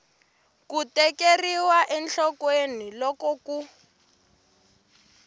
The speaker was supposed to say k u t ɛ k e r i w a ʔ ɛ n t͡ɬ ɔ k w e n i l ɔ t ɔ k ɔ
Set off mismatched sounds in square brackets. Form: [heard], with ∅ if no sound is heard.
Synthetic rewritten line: k u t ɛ k e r i w a ʔ ɛ n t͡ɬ ɔ k w e n i l ɔ [k] ɔ k [u]